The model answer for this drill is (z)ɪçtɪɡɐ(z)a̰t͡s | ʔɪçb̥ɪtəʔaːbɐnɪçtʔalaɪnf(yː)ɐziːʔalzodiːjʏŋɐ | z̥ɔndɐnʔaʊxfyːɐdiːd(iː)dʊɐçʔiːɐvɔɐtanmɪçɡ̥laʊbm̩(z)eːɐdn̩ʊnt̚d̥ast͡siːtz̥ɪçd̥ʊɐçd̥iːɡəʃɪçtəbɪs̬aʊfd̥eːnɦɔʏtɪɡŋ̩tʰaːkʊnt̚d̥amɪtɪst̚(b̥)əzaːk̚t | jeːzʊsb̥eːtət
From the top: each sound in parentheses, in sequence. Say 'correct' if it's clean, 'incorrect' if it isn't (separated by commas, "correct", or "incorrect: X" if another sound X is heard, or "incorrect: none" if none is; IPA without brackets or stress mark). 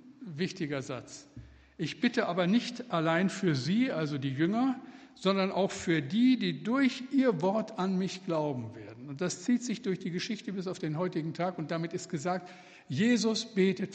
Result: incorrect: v, correct, correct, correct, incorrect: v, incorrect: ɡ̥